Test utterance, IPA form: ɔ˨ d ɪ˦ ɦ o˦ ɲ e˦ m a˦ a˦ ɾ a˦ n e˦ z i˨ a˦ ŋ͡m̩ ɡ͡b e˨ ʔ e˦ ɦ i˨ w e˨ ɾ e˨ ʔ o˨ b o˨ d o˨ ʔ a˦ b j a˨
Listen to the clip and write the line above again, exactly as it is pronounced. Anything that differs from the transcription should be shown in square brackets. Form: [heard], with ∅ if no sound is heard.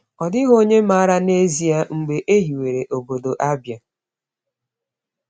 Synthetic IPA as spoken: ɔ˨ d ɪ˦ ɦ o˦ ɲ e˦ m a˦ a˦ ɾ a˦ n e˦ z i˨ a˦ ŋ͡m̩ ɡ͡b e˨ ʔ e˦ ɦ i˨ w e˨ ɾ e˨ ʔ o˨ b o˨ d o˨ ʔ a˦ b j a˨